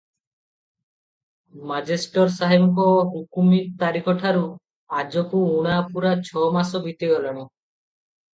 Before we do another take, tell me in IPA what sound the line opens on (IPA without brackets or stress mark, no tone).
m